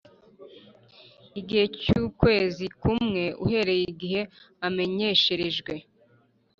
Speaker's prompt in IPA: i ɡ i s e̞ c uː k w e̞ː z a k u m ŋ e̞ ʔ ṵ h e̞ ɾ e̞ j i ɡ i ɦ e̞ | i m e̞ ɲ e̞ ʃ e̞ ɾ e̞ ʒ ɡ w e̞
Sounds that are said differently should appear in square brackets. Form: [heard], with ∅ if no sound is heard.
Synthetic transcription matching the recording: i ɡ i [h] e̞ c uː k w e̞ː z [i] k u m ŋ e̞ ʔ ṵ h e̞ ɾ e̞ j i ɡ i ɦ e̞ | [a] m e̞ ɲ e̞ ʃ e̞ ɾ e̞ ʒ ɡ w e̞